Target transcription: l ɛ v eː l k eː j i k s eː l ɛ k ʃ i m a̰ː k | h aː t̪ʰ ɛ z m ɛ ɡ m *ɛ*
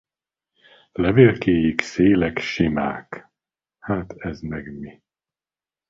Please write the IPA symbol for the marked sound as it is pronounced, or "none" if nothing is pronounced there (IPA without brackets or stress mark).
i